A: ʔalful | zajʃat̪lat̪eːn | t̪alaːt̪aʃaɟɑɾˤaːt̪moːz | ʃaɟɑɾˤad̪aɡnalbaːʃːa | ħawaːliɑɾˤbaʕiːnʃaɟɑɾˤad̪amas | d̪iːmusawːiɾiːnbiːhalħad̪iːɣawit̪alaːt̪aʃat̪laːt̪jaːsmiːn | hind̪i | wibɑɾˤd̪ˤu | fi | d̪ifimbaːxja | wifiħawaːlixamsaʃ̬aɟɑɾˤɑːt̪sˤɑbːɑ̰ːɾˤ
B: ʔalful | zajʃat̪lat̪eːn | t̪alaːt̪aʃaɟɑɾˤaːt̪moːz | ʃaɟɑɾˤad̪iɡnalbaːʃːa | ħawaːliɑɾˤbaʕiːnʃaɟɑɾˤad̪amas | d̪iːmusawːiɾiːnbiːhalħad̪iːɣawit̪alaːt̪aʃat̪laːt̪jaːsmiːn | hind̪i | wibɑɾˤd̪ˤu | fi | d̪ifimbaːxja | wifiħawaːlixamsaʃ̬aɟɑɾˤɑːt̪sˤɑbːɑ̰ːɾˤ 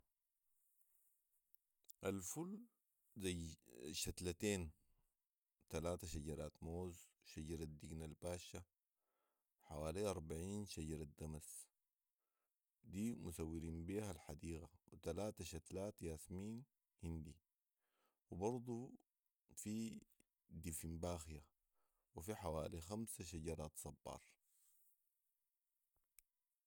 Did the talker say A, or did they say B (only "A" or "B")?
B